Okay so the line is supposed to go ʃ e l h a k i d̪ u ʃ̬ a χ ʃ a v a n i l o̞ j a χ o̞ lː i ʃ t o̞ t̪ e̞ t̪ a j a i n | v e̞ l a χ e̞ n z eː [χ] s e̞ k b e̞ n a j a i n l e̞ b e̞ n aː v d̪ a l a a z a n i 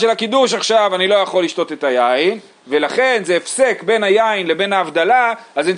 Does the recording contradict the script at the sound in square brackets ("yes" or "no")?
yes